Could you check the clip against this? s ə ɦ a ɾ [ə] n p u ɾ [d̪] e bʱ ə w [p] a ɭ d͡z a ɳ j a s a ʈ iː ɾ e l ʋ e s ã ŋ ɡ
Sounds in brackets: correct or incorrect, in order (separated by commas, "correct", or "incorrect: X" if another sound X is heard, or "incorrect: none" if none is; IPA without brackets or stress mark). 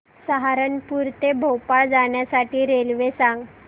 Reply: correct, incorrect: t̪, correct